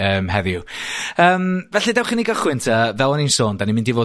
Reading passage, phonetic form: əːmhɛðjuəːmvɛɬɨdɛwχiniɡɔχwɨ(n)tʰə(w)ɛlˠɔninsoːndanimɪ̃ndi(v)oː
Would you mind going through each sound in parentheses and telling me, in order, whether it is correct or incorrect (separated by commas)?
correct, incorrect, correct